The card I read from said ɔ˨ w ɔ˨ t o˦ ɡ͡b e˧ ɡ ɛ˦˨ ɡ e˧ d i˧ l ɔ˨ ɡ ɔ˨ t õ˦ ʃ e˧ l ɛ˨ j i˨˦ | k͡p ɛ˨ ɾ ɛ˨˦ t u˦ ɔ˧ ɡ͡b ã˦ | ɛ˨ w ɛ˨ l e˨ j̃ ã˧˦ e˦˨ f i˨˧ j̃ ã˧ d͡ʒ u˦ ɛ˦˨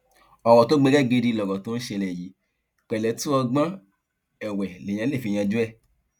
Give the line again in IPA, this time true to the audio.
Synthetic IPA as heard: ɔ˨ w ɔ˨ t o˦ ɡ͡b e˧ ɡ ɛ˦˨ ɡ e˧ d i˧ l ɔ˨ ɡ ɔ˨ t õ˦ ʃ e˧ l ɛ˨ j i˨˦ | k͡p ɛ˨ l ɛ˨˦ t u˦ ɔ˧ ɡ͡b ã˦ | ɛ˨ w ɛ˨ l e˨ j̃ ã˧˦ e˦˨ f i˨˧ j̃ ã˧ d͡ʒ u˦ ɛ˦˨

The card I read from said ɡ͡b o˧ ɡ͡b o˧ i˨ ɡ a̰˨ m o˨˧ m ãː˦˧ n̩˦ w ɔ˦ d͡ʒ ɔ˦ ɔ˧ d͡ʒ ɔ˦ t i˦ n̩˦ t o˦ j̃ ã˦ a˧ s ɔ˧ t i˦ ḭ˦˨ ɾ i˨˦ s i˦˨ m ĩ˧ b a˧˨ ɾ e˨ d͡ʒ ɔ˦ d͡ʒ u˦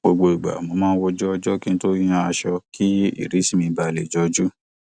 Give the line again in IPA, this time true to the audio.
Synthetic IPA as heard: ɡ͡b o˧ ɡ͡b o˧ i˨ ɡ͡b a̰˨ m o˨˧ m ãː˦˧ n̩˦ w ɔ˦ d͡ʒ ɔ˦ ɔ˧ d͡ʒ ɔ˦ k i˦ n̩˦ t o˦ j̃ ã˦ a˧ ʃ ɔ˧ k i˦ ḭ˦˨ ɾ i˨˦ s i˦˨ m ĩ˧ b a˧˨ l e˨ d͡ʒ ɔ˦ d͡ʒ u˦

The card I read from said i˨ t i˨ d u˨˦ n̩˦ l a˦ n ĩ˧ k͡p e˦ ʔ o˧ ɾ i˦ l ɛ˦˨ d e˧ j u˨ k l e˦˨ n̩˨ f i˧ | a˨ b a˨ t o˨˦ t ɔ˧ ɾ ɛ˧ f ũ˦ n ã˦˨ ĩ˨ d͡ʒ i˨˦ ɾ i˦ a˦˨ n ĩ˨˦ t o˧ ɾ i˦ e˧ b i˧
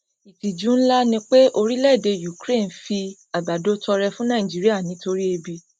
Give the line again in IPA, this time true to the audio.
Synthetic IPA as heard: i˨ t i˨ d͡ʒ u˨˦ n̩˦ l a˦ n ĩ˧ k͡p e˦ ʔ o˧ ɾ i˦ l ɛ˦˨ d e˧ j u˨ k ɾ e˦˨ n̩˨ f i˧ | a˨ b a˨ d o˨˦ t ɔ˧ ɾ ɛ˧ f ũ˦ n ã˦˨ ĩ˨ d͡ʒ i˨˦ ɾ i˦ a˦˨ n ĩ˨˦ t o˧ ɾ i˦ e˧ b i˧

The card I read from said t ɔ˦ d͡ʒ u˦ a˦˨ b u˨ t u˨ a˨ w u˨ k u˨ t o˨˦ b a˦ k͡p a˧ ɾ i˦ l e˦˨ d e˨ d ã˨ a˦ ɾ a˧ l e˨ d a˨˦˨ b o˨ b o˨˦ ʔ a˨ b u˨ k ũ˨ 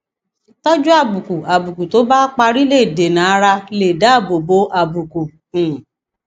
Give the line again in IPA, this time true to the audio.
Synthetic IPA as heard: t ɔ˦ d͡ʒ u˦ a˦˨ b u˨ k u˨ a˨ b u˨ k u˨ t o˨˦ b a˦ k͡p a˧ ɾ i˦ l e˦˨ d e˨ n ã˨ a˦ ɾ a˧ l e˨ d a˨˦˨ b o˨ b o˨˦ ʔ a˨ b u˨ k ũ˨

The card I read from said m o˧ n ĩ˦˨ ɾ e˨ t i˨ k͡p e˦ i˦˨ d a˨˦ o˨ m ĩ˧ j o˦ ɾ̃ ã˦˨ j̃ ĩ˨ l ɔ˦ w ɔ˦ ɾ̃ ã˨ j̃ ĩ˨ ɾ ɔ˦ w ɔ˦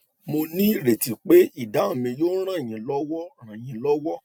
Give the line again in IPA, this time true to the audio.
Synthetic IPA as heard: m o˧ n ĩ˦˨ ɾ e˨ t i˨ k͡p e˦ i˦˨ d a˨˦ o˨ m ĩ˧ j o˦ ɾ̃ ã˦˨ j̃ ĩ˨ l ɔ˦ w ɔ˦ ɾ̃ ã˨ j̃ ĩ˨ l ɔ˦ w ɔ˦

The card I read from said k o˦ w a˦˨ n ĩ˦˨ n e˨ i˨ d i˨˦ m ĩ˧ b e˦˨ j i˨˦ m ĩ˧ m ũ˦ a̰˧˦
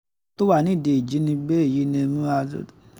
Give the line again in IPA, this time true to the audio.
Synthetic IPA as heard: t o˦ w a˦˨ n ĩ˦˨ d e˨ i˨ d͡ʒ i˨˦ n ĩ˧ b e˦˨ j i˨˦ n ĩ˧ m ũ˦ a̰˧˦

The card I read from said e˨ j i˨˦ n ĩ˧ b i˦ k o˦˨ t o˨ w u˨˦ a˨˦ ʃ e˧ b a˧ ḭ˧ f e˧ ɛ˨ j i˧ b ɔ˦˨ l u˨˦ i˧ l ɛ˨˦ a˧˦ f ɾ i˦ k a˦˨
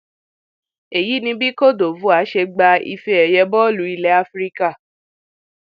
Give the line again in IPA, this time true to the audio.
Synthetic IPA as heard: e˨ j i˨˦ n ĩ˧ b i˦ k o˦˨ d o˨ v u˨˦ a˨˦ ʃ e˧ ɡ͡b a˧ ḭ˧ f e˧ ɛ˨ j ɛ˧ b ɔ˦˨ l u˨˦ i˧ l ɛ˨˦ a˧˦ f ɾ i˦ k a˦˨

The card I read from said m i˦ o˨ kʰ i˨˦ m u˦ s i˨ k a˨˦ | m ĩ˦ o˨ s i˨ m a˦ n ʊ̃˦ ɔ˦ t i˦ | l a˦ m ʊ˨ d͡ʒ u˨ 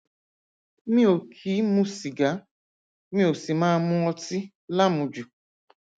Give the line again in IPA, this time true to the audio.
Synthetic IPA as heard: m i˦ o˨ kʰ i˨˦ m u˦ s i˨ ɡ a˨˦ | m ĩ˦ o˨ s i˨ m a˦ m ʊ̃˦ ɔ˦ t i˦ | l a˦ m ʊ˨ d͡ʒ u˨

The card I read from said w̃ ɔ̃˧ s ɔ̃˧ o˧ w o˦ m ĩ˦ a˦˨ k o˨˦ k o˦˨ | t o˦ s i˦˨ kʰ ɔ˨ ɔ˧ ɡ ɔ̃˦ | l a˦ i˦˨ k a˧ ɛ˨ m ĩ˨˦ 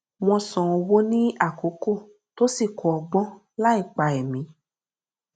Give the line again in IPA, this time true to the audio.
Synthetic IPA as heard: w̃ ɔ̃˧ s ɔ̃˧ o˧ w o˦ n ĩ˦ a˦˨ k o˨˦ k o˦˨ | t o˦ s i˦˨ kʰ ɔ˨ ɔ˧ ɡ͡b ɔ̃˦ | l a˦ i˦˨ k͡p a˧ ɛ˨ m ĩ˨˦

